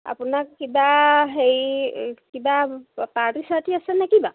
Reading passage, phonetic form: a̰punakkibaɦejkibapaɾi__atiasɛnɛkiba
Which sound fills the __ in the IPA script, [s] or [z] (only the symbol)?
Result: s